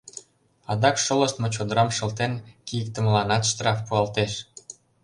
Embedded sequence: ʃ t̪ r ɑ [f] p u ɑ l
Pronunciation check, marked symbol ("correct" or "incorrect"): correct